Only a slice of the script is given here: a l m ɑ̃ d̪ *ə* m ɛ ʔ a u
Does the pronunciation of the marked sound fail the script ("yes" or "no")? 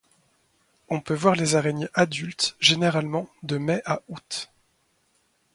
no